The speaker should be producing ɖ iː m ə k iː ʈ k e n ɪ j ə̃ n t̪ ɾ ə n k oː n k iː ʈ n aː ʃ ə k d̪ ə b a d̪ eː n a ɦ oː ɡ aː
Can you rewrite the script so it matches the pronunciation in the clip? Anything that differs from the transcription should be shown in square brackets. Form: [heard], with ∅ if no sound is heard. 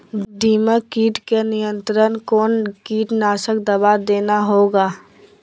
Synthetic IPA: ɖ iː m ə k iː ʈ k e n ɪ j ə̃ n t̪ ɾ ə n k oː n k iː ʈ n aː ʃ ə k d̪ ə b a d̪ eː n a ɦ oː ɡ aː